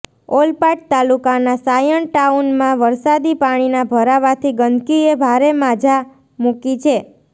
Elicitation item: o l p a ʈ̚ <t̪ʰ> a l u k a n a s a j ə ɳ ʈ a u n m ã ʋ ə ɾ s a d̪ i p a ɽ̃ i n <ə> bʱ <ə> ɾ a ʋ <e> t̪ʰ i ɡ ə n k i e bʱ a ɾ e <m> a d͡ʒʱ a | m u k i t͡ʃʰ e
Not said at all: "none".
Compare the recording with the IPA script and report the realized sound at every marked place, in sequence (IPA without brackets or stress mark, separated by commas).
t̪, a, ə, a, m